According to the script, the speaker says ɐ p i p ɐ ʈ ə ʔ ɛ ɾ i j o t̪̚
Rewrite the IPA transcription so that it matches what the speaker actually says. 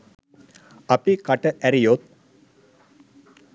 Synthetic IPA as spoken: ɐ p i k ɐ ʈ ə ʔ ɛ ɾ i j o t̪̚